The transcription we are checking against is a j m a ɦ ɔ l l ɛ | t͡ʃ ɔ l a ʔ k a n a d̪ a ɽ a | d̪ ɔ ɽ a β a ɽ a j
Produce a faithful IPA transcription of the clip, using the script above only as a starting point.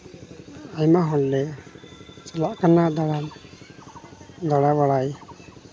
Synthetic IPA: a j m a ɦ ɔ l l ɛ | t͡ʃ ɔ l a ʔ k a n a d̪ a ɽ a | d̪ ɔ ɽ a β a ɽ a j